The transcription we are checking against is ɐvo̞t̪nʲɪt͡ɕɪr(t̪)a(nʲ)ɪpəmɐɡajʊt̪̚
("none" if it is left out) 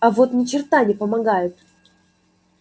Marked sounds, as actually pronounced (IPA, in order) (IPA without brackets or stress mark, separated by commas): t̪, nʲ